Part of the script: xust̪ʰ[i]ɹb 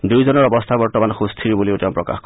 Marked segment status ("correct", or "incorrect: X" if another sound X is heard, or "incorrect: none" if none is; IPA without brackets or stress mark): correct